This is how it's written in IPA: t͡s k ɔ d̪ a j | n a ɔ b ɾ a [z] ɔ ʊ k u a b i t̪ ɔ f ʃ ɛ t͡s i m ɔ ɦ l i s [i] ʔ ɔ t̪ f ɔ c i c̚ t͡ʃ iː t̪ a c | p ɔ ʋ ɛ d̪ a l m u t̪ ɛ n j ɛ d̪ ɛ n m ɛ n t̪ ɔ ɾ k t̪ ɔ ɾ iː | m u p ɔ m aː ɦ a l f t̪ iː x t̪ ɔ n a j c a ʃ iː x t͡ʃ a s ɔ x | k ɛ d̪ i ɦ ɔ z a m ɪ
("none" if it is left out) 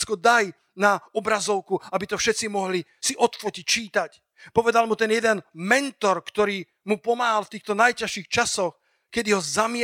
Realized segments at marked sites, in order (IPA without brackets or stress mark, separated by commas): z, i